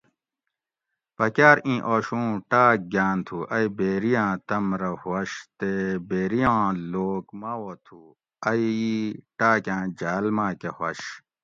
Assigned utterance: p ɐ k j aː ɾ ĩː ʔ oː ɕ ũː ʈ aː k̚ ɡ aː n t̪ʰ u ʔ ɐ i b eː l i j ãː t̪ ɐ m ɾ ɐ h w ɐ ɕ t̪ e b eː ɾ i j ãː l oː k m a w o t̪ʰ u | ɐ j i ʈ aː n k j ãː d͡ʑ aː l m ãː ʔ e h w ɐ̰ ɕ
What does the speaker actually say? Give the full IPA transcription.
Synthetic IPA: p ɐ k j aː ɾ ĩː ʔ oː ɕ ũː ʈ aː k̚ ɡ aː n t̪ʰ u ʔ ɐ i b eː ɾ i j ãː t̪ ɐ m ɾ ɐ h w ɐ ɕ t̪ e b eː ɾ i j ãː l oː k m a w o t̪ʰ u | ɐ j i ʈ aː k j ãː d͡ʑ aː l m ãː k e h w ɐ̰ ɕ